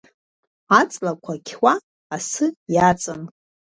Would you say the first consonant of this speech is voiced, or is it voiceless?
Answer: voiceless